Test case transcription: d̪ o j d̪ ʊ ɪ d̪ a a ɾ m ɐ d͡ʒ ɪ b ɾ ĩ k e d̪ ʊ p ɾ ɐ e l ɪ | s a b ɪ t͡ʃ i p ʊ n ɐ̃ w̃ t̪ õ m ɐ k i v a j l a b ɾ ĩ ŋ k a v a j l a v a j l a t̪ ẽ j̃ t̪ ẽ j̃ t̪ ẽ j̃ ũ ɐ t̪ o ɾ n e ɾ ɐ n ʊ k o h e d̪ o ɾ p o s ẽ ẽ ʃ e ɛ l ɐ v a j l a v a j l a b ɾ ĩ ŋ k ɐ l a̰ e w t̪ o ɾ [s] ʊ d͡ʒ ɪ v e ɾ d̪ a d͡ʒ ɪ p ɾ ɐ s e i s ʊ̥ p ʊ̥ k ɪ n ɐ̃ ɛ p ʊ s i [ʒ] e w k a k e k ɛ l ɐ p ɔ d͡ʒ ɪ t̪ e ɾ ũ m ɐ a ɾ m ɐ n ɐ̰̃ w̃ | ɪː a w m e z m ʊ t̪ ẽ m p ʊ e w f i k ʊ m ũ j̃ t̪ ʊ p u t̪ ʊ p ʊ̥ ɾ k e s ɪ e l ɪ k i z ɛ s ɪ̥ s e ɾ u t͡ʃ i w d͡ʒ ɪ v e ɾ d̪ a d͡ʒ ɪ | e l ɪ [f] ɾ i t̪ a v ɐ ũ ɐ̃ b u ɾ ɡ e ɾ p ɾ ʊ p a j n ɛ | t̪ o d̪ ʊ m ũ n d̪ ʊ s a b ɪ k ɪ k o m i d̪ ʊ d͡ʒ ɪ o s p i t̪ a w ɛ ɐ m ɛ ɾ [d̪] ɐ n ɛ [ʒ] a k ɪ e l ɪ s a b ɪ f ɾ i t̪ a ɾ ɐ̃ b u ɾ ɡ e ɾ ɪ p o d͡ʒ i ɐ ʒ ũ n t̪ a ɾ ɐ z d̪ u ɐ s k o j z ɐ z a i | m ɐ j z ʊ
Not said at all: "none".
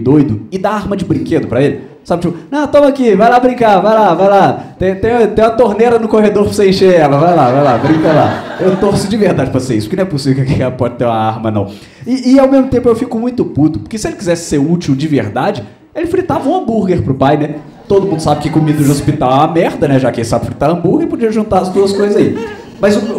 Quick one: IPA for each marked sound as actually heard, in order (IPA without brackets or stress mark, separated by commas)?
s, v, f, d̪, ʒ